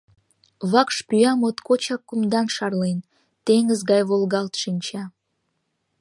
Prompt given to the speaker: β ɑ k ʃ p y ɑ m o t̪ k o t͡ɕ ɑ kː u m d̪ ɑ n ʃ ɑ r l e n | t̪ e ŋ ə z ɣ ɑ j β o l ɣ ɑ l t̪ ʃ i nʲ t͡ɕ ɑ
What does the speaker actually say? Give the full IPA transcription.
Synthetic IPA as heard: β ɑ k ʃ p y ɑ m o t̪ k o t͡ɕ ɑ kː u m d̪ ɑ n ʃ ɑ r l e n | t̪ e ŋ ə z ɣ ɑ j β o l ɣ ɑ l t̪ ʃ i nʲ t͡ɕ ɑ